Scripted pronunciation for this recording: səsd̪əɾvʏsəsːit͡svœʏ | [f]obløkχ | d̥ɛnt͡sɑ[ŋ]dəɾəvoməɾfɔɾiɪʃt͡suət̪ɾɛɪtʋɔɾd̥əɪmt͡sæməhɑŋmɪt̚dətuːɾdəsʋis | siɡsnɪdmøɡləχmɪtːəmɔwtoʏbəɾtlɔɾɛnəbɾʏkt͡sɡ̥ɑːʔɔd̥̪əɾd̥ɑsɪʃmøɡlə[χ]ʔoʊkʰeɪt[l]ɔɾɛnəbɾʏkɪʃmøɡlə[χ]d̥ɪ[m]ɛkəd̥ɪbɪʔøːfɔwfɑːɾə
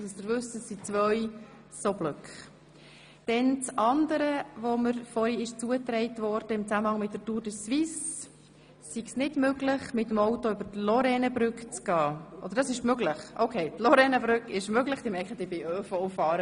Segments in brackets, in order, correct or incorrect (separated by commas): incorrect, incorrect, correct, correct, correct, correct